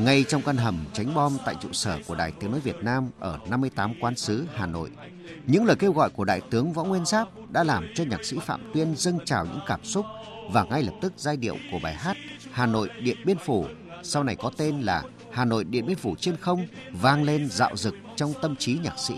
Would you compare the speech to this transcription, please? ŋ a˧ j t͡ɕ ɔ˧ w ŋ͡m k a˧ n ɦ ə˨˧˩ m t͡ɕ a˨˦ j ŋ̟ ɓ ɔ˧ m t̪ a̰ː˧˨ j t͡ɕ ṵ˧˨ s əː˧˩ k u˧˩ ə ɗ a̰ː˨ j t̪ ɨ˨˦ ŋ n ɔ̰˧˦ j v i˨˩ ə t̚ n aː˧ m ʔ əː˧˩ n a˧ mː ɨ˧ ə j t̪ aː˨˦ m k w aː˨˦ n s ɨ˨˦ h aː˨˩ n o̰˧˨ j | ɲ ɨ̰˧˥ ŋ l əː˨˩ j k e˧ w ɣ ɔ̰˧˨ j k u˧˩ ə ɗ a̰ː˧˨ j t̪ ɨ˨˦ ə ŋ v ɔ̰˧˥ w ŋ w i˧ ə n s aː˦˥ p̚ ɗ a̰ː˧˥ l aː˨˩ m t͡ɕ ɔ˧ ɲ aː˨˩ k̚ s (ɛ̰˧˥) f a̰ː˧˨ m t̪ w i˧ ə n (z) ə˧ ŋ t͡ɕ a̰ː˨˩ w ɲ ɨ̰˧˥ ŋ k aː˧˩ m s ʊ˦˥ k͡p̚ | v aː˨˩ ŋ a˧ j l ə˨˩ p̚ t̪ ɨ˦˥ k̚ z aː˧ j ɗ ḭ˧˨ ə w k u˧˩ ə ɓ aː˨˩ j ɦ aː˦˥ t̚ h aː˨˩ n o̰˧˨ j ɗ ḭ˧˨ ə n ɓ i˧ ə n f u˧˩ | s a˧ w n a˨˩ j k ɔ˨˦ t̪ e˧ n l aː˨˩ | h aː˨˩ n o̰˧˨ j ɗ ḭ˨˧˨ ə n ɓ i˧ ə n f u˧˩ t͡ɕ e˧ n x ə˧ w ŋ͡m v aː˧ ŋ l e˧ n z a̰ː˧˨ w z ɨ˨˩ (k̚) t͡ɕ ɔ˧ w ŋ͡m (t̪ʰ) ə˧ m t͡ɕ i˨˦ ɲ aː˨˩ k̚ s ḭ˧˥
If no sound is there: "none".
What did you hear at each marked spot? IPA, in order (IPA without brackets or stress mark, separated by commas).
ḭ˧˥, z, k̚, t̪